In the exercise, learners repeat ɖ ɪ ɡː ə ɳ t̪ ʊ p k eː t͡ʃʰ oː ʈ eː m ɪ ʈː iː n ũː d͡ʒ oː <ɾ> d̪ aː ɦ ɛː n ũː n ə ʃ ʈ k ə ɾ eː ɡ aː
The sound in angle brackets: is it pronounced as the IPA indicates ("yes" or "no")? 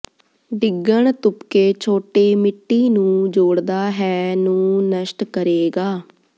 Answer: no